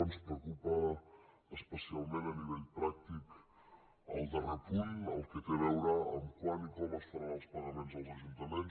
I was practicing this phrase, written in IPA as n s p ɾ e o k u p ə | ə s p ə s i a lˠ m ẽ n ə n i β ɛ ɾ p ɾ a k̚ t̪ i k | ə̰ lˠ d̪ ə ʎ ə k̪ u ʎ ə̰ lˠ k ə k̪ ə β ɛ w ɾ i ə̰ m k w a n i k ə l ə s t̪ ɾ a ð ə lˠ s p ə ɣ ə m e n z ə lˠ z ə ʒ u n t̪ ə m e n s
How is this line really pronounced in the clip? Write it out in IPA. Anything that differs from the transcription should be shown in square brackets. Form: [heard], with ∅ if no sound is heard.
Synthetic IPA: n s p ɾ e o k u p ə | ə s p ə s i a lˠ m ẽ n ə n i β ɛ [ʎ] p ɾ a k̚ t̪ i k | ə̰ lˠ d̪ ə [r] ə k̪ u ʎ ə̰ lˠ k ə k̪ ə β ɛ w ɾ [a] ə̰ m k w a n i k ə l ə s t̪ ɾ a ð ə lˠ s p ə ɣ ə m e n z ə lˠ z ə ʒ u n t̪ ə m e n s